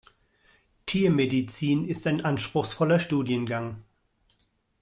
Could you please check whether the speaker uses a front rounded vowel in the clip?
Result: no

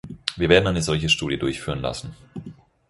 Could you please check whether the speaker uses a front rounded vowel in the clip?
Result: yes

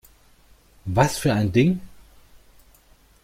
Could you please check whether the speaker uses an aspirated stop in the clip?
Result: no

